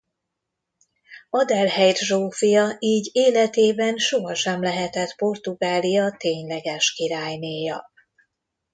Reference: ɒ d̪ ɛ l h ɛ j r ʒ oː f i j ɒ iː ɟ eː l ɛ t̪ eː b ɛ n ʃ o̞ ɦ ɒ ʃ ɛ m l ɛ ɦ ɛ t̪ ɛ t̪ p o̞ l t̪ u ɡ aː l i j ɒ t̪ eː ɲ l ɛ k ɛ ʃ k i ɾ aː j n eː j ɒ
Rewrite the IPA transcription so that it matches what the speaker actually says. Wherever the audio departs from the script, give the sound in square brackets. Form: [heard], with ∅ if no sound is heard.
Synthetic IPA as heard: ɒ d̪ ɛ l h ɛ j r ʒ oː f i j ɒ iː ɟ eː l ɛ t̪ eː b ɛ n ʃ o̞ ɦ ɒ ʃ ɛ m l ɛ ɦ ɛ t̪ ɛ t̪ p o̞ [r] t̪ u ɡ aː l i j ɒ t̪ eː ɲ l ɛ [ɡ] ɛ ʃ k i ɾ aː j n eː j ɒ

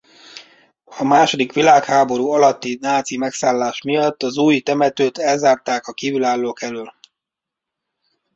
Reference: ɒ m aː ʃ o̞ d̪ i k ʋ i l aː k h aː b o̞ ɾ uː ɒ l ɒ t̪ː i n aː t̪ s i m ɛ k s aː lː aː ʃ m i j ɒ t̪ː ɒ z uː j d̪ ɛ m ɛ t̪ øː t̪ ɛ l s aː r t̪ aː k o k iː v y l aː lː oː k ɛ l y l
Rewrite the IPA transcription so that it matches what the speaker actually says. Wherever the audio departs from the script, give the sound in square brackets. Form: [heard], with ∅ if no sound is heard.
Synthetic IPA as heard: ɒ m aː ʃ o̞ d̪ i k ʋ i l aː k h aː b o̞ ɾ uː ɒ l ɒ t̪ː i n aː t̪ s i m ɛ k s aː lː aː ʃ m i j ɒ t̪ː ɒ z uː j [t̪] ɛ m ɛ t̪ øː t̪ ɛ l [z] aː r t̪ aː k [ɒ] k iː v y l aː lː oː k ɛ l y l

